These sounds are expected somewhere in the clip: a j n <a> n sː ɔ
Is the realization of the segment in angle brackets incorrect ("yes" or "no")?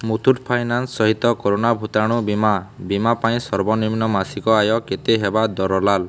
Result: no